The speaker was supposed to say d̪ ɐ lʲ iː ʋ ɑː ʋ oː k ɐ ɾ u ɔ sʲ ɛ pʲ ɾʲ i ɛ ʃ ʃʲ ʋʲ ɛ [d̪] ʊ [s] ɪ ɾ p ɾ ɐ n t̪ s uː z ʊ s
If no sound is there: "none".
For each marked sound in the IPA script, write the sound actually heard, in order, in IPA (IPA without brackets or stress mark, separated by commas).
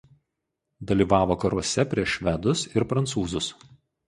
d̪, s